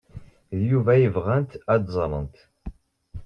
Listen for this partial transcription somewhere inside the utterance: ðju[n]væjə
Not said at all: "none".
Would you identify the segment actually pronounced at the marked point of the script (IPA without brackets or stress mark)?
none